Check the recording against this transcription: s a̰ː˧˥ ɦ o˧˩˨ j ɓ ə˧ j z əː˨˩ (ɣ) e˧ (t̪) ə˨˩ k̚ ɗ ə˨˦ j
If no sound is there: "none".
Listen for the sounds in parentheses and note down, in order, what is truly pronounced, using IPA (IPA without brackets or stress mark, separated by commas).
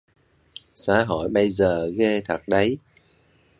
ɣ, t̪ʰ